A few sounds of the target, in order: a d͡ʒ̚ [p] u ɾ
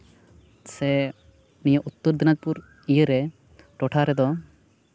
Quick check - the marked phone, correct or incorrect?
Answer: correct